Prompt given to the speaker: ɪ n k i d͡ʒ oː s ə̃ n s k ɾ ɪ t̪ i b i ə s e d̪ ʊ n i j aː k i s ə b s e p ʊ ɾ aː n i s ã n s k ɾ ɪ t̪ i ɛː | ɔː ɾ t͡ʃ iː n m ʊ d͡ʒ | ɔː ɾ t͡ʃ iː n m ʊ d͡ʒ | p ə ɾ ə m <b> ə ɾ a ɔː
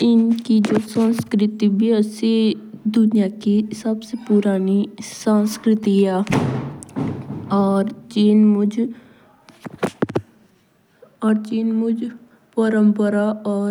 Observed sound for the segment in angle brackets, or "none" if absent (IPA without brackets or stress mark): p